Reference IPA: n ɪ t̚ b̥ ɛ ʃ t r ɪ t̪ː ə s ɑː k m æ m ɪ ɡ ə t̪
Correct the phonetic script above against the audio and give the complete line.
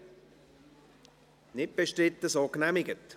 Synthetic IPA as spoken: n ɪ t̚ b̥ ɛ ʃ t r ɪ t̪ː ə s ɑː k n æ m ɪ ɡ ə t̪